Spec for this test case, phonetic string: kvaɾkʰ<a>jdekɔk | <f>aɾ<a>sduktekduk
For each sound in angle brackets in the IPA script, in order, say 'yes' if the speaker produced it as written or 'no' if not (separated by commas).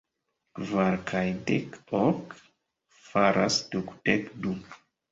yes, yes, yes